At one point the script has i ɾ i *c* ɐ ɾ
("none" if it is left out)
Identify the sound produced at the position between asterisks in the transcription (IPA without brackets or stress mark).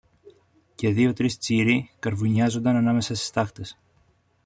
k